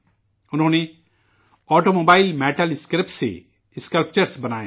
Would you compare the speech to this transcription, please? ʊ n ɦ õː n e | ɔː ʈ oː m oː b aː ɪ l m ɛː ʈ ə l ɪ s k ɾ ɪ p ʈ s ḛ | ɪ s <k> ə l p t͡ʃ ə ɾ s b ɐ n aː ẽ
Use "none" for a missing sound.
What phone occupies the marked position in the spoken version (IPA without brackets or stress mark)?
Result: k